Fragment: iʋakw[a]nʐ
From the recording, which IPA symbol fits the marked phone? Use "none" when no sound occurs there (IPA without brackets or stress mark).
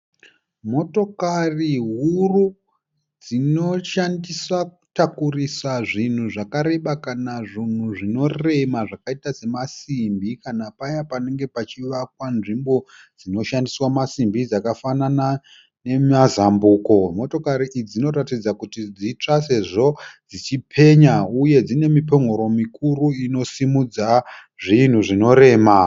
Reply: a